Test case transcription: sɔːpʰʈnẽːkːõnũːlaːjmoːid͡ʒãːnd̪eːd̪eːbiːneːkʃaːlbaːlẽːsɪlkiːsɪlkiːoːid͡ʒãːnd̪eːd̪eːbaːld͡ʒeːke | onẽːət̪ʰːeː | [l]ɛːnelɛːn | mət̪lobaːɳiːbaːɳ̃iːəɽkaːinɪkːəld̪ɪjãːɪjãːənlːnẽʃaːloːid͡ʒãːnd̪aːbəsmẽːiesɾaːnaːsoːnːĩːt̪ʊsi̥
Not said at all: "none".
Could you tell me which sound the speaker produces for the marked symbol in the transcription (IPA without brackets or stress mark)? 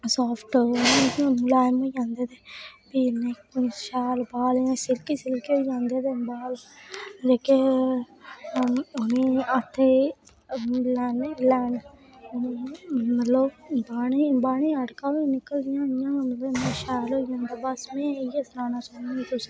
l